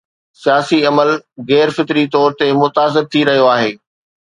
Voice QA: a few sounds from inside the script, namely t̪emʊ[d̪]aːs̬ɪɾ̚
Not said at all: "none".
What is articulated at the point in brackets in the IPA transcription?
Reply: t̪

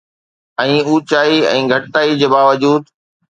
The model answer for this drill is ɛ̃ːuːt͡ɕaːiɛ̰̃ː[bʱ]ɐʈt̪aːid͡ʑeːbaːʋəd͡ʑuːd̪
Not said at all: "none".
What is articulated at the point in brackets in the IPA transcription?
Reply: ɡʱ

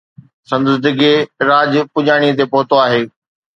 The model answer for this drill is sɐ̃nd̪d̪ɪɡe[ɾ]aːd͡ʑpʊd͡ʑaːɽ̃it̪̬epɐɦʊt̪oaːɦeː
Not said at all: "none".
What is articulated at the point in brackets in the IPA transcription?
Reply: ɾ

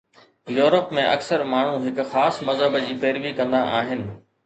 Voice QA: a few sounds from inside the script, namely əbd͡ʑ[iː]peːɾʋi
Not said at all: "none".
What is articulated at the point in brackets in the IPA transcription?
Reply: iː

